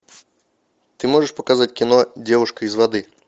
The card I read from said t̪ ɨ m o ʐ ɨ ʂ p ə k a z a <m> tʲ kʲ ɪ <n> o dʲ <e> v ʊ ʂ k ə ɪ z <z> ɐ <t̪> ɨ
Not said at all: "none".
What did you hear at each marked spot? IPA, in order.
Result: none, n, e, v, d̪

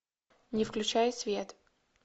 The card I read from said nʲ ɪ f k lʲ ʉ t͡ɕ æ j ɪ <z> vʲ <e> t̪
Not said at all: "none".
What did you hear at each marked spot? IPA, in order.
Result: s, e

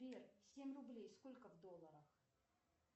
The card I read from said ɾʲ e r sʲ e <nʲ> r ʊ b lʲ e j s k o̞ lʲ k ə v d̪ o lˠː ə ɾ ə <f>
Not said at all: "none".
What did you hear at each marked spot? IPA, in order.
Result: mʲ, x

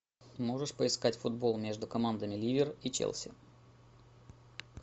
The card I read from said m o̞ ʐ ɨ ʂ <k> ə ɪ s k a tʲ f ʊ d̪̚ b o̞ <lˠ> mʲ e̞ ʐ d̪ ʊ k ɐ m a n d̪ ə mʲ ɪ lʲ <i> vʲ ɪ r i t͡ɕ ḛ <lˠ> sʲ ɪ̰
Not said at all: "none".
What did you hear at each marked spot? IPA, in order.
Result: p, lˠ, i, lˠ

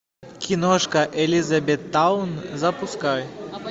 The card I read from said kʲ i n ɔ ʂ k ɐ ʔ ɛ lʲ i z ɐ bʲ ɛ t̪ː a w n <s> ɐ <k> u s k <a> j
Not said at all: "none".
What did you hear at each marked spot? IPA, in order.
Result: z, p, a

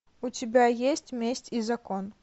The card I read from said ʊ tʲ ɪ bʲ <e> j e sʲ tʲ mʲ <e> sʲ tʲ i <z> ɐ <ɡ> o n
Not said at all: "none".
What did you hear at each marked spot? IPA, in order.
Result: a, e, z, k

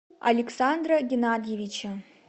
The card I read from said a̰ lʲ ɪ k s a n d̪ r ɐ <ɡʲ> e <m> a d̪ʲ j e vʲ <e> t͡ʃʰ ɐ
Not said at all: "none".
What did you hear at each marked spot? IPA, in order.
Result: ɡʲ, n, i

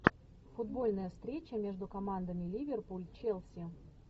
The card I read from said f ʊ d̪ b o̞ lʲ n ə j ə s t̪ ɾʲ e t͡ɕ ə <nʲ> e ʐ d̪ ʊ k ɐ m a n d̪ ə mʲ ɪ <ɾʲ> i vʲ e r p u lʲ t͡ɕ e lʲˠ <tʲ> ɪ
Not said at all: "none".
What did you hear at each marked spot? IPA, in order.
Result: mʲ, lʲ, sʲ

